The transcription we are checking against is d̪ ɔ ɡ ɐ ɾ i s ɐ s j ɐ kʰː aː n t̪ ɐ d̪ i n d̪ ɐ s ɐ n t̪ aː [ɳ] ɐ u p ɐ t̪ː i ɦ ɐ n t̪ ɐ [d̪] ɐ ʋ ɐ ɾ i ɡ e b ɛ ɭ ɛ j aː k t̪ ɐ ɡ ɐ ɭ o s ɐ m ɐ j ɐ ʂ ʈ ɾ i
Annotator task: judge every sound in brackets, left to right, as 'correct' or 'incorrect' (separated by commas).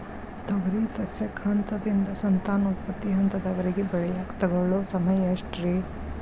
incorrect, correct